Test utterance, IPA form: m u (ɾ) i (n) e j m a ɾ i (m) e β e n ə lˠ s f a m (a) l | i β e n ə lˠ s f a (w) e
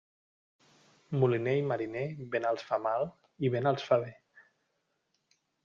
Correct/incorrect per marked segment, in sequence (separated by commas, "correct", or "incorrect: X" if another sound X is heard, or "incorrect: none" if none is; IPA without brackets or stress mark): incorrect: l, correct, incorrect: n, correct, incorrect: β